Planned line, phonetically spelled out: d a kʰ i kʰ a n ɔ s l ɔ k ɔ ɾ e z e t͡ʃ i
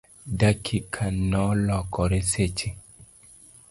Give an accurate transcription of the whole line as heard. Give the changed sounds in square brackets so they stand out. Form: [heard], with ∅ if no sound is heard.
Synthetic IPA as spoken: d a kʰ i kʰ a n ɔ [∅] l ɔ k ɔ ɾ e [s] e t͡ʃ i

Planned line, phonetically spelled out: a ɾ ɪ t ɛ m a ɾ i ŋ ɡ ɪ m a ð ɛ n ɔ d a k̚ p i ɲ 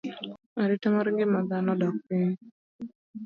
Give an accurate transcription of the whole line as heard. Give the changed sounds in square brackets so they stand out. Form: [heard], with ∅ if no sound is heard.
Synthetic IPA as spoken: a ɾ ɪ t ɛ m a ɾ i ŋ ɡ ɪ m a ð [a] n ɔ d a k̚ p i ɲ

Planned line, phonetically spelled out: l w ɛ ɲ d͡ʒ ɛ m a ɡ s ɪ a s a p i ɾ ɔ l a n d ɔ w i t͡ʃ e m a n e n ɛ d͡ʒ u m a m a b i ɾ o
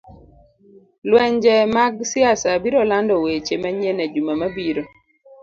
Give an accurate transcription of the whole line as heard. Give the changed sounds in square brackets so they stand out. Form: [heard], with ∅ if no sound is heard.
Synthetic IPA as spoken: l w ɛ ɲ d͡ʒ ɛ m a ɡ s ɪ a s a [b] i ɾ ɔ l a n d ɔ w [e] t͡ʃ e m a [ɲ] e n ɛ d͡ʒ u m a m a b i ɾ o

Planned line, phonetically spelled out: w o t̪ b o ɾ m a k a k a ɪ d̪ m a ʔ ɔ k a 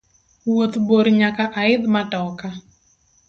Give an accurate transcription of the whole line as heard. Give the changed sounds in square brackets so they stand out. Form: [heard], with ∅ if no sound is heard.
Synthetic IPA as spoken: w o t̪ b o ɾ [ɲ] a k a [ʔ] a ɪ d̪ m a [t] ɔ k a

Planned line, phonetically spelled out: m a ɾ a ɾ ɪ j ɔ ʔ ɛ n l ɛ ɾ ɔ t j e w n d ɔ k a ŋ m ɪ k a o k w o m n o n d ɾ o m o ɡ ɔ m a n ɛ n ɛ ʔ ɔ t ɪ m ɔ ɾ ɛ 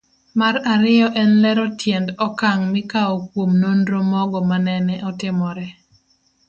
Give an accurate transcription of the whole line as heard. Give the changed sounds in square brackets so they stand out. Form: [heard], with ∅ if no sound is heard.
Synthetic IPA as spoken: m a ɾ a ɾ ɪ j ɔ ʔ ɛ n l ɛ ɾ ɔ t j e [∅] n d ɔ k a ŋ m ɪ k a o k w o m n o n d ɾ o m [ɔ] ɡ ɔ m a n ɛ n ɛ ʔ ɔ t ɪ m ɔ ɾ ɛ

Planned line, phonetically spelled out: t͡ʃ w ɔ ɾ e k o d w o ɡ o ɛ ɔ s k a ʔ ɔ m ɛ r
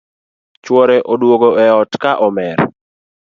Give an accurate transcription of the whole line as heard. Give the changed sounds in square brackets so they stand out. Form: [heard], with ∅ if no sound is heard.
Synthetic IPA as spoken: t͡ʃ w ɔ ɾ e [ʔ] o d w o ɡ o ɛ ɔ [t] k a ʔ ɔ m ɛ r

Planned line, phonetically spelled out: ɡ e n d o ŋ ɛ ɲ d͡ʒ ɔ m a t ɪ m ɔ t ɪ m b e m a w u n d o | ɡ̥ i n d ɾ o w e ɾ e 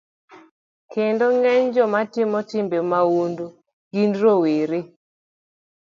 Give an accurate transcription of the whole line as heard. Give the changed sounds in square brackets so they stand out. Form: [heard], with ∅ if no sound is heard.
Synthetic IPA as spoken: [k] e n d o ŋ ɛ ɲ d͡ʒ ɔ m a t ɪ m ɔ t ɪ m b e m a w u n d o | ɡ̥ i n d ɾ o w e ɾ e

